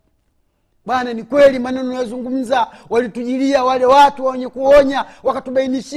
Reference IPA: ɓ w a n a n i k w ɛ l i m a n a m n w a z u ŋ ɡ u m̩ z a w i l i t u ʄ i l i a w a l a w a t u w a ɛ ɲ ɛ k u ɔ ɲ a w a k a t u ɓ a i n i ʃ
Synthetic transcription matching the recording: ɓ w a n a n i k w ɛ l i m a n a n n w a z u ŋ ɡ u m̩ z a w a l i t u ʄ i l i a w a l ɛ w a t u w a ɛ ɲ ɛ k u ɔ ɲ a w a k a t u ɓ a i n i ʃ